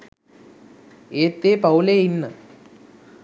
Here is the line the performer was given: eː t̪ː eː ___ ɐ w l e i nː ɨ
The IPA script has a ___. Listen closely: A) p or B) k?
A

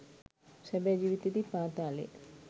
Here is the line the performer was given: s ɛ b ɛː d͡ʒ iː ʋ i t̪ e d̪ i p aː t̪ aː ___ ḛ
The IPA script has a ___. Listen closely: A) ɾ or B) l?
B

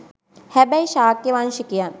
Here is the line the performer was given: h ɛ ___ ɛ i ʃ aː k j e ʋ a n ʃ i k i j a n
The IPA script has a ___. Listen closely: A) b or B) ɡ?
A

